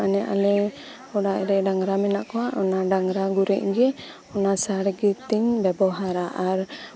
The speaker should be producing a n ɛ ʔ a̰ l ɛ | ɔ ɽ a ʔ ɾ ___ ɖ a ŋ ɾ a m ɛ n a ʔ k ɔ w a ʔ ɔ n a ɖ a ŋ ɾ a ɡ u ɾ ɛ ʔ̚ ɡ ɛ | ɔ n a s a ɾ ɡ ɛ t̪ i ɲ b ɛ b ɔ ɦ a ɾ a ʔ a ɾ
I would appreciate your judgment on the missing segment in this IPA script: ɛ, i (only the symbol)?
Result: ɛ